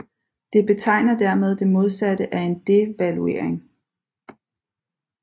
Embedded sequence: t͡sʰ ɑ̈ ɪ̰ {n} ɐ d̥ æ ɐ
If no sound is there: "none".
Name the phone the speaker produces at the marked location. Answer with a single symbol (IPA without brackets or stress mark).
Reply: n